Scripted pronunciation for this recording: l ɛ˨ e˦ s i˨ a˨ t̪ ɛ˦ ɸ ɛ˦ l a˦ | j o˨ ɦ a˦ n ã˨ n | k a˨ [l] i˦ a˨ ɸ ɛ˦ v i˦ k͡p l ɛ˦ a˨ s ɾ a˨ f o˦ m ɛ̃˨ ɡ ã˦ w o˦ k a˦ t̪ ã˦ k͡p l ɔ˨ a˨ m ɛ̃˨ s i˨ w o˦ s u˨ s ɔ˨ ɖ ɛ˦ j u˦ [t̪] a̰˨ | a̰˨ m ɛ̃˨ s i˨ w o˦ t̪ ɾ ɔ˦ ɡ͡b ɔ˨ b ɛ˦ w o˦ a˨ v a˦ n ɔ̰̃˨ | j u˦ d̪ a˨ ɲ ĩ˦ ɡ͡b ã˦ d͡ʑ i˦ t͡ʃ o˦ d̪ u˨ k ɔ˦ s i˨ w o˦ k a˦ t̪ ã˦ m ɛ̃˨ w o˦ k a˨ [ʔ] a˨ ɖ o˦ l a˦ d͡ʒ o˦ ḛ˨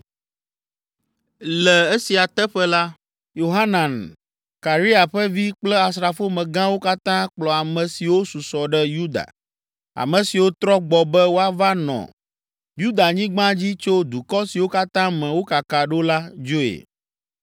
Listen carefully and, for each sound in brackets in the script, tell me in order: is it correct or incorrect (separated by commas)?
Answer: incorrect, incorrect, incorrect